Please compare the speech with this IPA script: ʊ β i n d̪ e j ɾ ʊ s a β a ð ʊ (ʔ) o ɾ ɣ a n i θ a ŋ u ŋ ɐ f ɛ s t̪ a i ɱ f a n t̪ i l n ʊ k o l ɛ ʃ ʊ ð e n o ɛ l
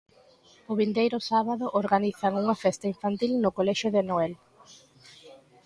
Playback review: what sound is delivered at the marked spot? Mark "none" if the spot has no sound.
ʔ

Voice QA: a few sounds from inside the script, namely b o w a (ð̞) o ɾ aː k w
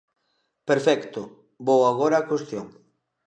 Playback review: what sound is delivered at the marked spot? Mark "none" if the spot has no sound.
ɣ̞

